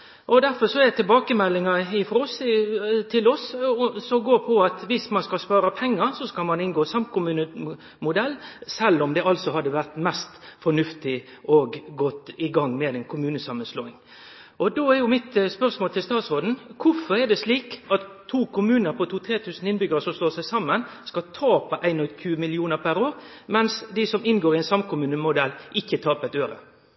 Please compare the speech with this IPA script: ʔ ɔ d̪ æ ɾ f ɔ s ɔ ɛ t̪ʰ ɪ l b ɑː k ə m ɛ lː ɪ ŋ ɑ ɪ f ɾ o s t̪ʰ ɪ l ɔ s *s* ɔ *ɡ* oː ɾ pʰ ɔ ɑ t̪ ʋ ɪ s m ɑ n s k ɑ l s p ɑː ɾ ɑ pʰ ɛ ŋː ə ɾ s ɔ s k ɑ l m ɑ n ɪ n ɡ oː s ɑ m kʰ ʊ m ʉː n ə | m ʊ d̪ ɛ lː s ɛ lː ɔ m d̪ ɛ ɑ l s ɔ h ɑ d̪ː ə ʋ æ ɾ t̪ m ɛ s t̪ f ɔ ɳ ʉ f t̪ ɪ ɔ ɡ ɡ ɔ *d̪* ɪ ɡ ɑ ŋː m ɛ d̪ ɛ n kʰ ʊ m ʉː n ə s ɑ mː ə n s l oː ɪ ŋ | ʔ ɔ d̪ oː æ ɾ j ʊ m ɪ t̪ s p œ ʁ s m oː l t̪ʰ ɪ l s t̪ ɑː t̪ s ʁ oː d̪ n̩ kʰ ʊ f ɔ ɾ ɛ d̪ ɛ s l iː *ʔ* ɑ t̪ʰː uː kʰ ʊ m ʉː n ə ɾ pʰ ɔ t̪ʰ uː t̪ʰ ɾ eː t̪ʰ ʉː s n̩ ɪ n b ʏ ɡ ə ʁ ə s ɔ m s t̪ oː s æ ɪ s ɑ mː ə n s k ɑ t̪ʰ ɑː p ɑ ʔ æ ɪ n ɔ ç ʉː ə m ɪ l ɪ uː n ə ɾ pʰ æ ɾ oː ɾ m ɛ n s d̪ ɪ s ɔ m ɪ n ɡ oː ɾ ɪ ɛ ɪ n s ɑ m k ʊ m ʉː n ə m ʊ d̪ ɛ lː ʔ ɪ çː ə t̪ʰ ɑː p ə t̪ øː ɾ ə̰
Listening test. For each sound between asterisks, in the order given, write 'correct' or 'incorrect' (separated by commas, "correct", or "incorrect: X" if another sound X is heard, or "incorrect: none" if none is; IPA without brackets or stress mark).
correct, correct, incorrect: t̪, incorrect: k